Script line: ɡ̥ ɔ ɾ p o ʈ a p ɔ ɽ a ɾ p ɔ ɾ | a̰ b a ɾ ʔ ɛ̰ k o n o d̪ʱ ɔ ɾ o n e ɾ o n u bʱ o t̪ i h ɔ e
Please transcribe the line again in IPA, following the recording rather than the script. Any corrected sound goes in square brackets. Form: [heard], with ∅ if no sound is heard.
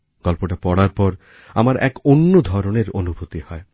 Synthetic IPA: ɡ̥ ɔ [l] p o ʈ a p ɔ ɽ a ɾ p ɔ ɾ | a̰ [m] a ɾ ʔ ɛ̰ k o [nː] o d̪ʱ ɔ ɾ o n e ɾ o n u bʱ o t̪ i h ɔ e